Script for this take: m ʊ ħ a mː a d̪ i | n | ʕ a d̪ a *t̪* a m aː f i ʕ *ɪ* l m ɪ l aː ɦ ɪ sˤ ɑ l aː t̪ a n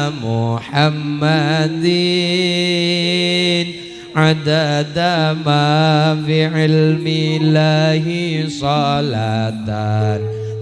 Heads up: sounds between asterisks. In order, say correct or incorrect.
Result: incorrect: d̪, correct

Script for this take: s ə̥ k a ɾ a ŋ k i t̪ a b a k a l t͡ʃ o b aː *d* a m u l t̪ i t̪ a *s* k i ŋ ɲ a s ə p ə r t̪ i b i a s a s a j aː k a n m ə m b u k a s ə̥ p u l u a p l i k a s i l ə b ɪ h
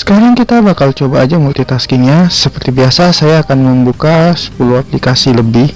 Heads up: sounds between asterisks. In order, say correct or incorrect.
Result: incorrect: d͡ʒ, correct

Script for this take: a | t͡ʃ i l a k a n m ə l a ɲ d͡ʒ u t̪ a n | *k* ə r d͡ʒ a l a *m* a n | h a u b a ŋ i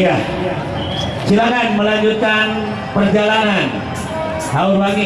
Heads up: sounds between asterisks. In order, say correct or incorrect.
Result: incorrect: p, incorrect: n

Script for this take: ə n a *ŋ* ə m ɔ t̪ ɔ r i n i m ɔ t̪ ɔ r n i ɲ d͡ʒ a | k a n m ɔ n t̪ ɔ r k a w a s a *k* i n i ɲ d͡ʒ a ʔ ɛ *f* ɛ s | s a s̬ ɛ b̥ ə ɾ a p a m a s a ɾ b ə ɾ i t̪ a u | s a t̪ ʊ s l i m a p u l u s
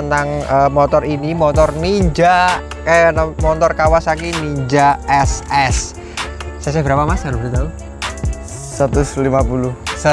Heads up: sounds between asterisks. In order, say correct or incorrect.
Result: correct, correct, incorrect: s

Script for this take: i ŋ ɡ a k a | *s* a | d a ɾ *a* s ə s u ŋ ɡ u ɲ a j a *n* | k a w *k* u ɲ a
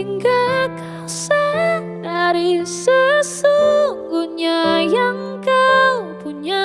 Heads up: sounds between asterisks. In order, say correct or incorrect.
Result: correct, incorrect: i, incorrect: ŋ, incorrect: p

